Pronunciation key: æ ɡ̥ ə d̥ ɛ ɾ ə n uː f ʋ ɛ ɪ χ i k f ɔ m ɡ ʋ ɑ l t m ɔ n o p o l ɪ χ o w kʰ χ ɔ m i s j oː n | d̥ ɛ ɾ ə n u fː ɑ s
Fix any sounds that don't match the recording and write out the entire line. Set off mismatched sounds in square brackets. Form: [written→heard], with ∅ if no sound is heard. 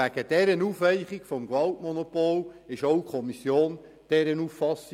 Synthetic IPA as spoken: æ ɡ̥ ə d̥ ɛ ɾ ə n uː f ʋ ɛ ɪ χ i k f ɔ m ɡ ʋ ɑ l t m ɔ n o p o l ɪ [χ→ʃ] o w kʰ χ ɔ m i s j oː n | d̥ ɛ ɾ ə n u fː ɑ s